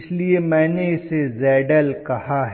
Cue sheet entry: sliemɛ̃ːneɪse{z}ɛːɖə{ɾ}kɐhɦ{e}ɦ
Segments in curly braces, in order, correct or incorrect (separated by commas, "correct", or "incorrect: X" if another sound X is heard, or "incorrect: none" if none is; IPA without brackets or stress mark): correct, incorrect: l, incorrect: a